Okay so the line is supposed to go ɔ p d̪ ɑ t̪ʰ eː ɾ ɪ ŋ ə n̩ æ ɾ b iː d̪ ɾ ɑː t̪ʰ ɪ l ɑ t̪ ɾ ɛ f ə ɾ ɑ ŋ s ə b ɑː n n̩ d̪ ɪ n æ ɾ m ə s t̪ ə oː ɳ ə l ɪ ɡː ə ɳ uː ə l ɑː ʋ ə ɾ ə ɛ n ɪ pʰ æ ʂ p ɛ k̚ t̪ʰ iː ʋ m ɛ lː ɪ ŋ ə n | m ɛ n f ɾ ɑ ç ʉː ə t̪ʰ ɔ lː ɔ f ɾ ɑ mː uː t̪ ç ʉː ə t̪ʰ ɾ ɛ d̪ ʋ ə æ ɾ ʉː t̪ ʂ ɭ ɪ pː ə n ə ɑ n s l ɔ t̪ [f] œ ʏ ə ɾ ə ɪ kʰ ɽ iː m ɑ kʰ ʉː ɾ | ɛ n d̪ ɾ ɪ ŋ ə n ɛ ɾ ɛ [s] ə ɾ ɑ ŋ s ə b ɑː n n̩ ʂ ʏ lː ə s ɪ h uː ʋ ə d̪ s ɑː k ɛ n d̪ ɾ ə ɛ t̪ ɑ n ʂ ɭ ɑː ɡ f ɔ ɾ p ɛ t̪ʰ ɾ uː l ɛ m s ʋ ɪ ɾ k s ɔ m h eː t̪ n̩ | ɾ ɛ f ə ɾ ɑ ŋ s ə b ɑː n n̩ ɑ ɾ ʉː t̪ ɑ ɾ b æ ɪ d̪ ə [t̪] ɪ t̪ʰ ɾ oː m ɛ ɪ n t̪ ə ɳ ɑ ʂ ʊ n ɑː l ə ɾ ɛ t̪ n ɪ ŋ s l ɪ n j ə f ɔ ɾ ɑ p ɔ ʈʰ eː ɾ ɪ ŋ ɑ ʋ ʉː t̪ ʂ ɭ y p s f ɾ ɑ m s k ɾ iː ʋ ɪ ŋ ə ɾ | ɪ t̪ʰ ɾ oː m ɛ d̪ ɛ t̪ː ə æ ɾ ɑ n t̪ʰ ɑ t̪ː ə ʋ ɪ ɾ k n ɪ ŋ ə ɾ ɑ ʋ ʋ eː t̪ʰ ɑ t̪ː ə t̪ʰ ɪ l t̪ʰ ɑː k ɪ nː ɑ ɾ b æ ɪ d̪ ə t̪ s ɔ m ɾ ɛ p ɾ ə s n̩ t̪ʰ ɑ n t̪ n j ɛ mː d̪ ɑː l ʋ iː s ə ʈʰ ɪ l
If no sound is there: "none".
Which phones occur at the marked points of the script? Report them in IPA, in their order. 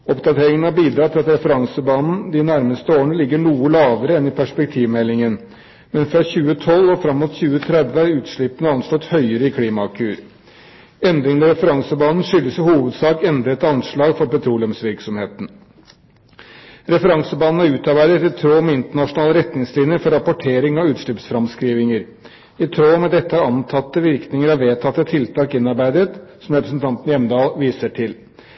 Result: h, f, t̪

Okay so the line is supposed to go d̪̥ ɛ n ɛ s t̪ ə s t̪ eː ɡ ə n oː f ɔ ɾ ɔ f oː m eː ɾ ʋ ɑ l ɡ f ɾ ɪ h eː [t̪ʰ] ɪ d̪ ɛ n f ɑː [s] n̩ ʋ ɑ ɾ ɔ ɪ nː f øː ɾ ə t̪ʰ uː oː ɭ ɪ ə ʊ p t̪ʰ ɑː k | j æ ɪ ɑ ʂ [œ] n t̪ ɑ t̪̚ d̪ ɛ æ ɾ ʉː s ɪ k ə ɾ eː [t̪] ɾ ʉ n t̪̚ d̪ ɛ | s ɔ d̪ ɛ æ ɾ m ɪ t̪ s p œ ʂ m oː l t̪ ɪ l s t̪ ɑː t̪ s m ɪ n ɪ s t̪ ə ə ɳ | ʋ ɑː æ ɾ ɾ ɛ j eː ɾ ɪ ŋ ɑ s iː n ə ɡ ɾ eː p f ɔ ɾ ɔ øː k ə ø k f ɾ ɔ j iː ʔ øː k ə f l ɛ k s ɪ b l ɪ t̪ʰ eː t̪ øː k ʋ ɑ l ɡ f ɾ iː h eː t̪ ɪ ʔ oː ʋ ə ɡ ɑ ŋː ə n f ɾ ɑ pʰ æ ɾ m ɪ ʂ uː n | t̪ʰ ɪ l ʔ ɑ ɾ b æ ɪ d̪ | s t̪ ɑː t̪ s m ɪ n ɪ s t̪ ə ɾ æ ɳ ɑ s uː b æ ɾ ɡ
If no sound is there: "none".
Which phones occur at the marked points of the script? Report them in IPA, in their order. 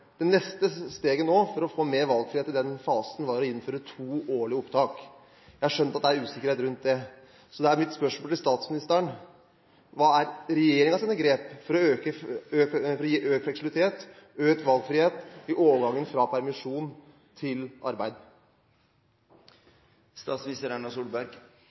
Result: t̪, s, œ, t̪

